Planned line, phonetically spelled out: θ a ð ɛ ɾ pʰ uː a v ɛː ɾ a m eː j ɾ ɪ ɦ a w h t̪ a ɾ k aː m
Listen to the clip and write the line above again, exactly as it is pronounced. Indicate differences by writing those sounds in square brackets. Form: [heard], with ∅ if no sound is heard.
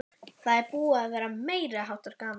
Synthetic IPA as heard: θ a ð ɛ ɾ [p] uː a v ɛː ɾ a m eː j ɾ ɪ ɦ a w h t̪ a ɾ k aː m